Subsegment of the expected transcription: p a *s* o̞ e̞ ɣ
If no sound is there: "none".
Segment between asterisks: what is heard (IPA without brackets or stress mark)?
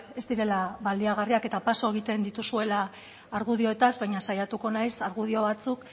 s